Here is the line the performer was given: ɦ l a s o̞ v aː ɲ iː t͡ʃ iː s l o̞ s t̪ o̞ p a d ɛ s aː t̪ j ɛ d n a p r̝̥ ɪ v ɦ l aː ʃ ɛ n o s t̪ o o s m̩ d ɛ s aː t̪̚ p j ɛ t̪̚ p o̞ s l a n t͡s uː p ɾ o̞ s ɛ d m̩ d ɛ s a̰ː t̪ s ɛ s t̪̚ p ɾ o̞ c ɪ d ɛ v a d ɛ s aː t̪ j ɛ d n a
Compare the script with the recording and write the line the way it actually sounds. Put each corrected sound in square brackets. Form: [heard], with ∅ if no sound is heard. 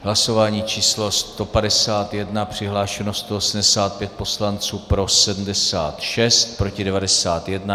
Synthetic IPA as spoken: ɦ l a s o̞ v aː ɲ iː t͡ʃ iː s l o̞ s t̪ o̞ p a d ɛ s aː t̪ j ɛ d n a p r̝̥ ɪ [∅] ɦ l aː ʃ ɛ n o s t̪ o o s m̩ d ɛ s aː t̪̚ p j ɛ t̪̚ p o̞ s l a n t͡s uː p ɾ o̞ s ɛ d m̩ d ɛ s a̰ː t̪ [ʃ] ɛ s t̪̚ p ɾ o̞ c ɪ d ɛ v a d ɛ s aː t̪ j ɛ d n a